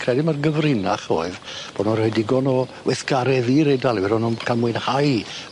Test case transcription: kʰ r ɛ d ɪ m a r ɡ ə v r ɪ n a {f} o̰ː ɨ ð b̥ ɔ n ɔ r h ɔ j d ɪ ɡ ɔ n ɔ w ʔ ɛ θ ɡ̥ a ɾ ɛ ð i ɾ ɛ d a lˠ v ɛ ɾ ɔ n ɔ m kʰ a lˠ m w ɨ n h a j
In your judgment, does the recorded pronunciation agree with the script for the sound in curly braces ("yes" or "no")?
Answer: no